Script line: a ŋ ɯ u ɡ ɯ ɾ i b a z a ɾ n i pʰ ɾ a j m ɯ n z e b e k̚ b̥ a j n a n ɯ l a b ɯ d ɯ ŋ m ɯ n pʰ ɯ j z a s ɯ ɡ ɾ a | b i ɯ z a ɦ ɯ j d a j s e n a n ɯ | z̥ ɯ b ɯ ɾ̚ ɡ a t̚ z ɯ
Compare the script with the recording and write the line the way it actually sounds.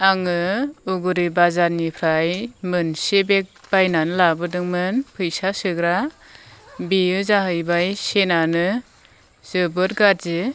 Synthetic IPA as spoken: a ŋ ɯ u ɡ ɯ ɾ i b a z a ɾ n i pʰ ɾ a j m ɯ n s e b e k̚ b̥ a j n a n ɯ l a b ɯ d ɯ ŋ m ɯ n pʰ ɯ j s a s ɯ ɡ ɾ a | b i ɯ z a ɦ ɯ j b a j s e n a n ɯ | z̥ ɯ b ɯ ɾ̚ ɡ a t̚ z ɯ